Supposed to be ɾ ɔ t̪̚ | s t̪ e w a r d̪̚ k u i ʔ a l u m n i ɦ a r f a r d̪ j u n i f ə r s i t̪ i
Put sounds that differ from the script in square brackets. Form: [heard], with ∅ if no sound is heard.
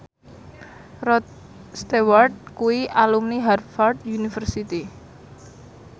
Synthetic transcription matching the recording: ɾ ɔ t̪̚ | s t̪ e w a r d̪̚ k u i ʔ a l u m n i ɦ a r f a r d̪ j u n i f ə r s i t̪ i